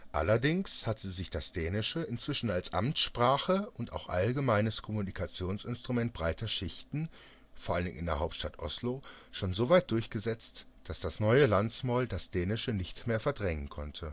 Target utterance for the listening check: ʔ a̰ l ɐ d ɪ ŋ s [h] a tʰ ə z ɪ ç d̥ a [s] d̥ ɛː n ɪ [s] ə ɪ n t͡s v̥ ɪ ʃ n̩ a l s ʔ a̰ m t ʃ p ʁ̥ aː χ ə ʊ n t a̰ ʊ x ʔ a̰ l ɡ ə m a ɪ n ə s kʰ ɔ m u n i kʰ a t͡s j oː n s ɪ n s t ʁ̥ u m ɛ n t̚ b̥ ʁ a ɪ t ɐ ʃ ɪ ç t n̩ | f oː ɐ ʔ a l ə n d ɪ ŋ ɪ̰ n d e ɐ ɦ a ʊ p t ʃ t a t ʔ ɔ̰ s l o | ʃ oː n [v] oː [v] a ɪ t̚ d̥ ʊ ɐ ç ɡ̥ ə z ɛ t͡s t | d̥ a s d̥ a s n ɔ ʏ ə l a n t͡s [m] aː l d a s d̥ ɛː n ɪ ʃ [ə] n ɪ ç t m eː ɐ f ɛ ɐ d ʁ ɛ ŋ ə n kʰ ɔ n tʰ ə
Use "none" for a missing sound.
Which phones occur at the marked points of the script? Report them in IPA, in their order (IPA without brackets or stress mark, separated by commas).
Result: h, s, ʃ, z, v, m, ə